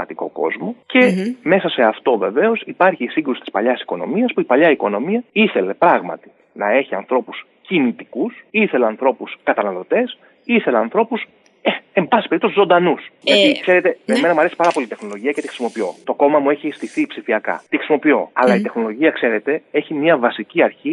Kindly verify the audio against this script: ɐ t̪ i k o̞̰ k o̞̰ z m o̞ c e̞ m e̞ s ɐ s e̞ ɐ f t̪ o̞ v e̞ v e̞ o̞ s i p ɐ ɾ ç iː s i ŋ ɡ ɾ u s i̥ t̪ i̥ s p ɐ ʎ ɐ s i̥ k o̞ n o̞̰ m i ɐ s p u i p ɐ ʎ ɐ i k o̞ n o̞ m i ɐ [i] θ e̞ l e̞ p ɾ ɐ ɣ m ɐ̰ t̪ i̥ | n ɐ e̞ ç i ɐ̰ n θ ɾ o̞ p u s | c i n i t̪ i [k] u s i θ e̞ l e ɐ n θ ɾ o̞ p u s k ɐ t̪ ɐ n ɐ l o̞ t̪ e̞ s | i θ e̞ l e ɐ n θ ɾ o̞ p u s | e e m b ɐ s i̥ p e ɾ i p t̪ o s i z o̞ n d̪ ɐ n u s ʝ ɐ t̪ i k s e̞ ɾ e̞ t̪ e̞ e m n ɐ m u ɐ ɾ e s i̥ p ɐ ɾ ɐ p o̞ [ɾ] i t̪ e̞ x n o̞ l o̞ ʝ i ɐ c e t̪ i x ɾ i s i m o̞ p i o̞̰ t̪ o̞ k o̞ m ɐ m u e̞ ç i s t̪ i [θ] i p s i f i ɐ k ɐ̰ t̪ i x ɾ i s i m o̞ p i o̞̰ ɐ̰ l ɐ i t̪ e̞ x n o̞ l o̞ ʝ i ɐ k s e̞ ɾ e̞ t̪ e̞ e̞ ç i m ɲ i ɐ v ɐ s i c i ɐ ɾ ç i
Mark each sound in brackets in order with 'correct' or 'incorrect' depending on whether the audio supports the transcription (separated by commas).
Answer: correct, correct, incorrect, correct